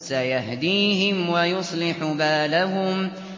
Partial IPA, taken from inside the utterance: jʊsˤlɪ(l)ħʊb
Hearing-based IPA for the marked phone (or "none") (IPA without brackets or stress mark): none